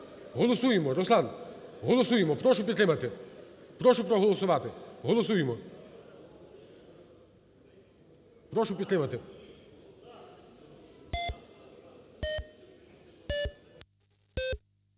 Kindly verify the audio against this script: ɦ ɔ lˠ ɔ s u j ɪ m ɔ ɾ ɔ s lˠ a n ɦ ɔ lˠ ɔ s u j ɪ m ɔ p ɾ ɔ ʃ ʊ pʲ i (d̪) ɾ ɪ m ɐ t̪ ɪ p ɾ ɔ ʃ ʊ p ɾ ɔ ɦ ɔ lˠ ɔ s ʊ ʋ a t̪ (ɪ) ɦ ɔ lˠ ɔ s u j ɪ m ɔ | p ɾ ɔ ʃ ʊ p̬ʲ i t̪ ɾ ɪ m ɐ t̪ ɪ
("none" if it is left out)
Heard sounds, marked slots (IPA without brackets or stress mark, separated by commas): t̪, ɪ